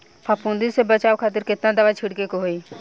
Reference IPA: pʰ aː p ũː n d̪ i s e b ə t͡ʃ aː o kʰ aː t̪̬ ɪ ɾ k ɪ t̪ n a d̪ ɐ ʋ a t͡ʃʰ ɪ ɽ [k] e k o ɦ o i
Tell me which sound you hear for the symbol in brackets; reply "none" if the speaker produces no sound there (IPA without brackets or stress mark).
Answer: k